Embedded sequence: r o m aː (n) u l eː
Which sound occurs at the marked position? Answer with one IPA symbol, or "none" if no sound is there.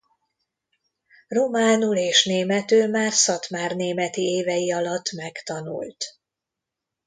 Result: n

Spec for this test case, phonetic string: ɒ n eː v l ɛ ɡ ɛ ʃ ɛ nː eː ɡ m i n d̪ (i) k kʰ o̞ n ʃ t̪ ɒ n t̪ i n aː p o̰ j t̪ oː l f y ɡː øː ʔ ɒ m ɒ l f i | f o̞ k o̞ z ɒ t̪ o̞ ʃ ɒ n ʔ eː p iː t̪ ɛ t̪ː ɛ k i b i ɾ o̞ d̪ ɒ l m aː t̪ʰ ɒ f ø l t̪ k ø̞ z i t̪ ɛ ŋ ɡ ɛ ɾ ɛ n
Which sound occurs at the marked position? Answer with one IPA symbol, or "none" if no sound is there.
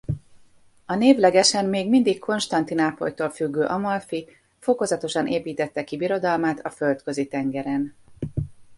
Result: i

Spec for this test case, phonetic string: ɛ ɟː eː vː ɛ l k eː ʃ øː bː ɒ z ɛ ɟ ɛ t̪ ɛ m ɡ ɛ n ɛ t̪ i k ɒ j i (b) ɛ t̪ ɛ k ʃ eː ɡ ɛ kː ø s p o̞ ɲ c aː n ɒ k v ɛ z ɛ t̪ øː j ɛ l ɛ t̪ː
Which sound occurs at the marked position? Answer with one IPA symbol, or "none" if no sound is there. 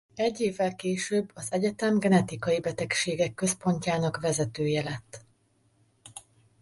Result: b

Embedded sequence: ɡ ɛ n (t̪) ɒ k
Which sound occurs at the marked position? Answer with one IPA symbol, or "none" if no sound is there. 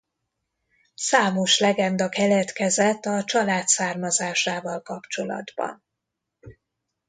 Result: d̪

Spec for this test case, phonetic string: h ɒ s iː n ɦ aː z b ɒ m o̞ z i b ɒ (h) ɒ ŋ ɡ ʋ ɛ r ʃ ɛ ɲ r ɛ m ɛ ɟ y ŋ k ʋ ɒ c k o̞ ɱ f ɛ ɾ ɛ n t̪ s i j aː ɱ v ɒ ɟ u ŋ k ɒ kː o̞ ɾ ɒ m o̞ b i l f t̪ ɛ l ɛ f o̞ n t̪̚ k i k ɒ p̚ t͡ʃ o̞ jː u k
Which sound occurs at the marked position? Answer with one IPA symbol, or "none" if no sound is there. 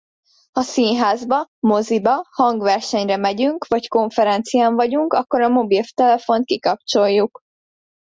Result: h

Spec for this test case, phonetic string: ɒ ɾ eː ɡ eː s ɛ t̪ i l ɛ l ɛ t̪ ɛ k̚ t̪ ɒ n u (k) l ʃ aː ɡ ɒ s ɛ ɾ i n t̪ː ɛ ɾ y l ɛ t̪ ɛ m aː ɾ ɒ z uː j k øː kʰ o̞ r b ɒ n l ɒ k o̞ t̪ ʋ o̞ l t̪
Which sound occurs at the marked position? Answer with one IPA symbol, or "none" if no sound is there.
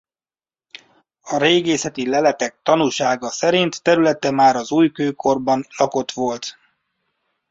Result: none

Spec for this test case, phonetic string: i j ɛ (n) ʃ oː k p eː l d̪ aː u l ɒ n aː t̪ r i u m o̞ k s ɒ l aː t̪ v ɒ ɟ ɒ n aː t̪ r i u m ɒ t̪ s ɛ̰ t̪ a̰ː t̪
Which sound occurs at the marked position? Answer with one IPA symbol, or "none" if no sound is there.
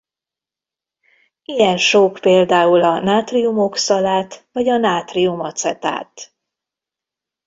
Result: n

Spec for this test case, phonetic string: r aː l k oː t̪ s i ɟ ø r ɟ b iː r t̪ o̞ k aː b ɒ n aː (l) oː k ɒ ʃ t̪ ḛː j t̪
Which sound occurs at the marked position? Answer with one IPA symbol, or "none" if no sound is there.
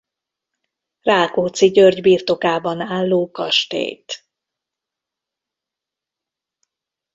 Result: lː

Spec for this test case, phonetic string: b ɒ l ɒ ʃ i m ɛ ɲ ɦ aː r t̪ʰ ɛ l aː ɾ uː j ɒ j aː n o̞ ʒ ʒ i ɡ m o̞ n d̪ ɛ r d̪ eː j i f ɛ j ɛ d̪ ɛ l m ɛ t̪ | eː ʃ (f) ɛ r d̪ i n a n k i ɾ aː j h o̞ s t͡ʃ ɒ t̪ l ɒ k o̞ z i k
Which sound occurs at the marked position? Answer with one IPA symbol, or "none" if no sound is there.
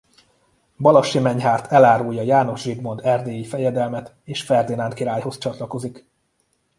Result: f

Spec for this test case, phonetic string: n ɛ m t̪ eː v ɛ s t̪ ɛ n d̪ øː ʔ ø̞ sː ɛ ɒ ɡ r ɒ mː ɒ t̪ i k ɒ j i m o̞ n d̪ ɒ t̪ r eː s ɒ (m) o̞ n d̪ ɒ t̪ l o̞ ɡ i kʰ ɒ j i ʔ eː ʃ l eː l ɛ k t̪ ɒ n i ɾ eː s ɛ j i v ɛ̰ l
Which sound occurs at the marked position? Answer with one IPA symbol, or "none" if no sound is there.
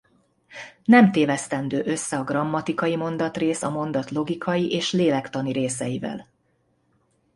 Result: m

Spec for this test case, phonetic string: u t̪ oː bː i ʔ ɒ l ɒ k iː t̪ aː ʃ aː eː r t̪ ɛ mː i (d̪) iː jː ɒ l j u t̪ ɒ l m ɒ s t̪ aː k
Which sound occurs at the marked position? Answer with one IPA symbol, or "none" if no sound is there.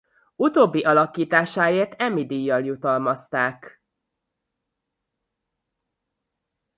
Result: d̪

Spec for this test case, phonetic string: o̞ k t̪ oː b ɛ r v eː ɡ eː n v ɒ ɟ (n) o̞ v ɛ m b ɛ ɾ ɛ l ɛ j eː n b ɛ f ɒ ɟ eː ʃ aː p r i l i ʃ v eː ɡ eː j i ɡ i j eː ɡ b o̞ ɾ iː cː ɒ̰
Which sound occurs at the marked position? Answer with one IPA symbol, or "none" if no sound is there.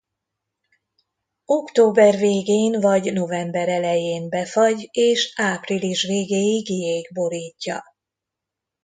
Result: n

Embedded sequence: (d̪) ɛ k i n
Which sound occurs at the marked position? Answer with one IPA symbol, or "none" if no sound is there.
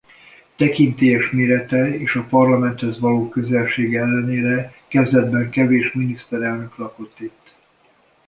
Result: t̪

